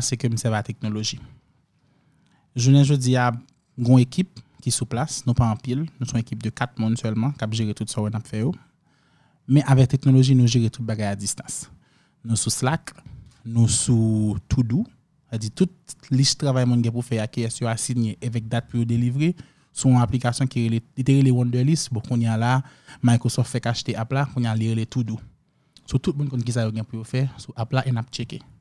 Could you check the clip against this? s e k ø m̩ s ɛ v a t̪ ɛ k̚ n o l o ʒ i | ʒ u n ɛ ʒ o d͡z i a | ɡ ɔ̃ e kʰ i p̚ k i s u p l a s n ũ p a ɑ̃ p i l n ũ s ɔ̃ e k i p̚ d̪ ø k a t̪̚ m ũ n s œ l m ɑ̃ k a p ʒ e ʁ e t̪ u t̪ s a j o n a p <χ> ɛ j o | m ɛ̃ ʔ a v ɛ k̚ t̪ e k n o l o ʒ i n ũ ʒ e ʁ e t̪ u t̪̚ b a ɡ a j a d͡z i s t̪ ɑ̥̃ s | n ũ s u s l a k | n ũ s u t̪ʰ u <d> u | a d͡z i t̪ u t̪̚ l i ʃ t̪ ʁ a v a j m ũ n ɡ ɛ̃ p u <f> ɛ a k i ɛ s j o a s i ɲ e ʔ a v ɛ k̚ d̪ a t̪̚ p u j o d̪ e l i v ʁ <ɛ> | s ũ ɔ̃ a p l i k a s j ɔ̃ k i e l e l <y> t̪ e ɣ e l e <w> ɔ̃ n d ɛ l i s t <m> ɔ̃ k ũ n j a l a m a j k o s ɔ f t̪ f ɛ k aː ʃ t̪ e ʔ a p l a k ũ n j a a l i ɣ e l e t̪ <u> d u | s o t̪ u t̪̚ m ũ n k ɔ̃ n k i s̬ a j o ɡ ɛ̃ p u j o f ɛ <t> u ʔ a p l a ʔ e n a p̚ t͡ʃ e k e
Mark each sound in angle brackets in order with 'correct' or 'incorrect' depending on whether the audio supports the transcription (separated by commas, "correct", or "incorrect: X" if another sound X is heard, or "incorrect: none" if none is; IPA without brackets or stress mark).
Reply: incorrect: f, correct, correct, incorrect: e, incorrect: i, correct, incorrect: b, correct, incorrect: s